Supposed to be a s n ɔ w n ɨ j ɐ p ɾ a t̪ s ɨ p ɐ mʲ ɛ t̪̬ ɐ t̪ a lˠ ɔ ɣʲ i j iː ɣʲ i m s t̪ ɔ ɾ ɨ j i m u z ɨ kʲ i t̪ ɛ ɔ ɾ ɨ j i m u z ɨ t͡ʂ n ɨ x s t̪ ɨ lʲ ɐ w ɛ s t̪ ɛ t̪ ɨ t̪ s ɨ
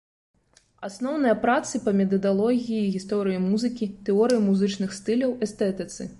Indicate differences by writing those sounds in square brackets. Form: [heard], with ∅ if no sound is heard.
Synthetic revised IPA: a s n ɔ w n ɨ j ɐ p ɾ a t̪ s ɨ p ɐ mʲ ɛ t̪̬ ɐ [d̪] a lˠ ɔ ɣʲ i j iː ɣʲ i [∅] s t̪ ɔ ɾ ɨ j i m u z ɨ kʲ i t̪ ɛ ɔ ɾ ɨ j i m u z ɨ t͡ʂ n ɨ x s t̪ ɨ lʲ ɐ w ɛ s t̪ ɛ t̪ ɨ t̪ s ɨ